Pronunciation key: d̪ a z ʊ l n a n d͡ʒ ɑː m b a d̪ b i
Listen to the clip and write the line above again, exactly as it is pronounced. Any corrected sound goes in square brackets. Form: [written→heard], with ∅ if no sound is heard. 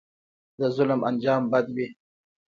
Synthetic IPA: d̪ [a→ə] z ʊ l [n→m] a n d͡ʒ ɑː m b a d̪ [b→w] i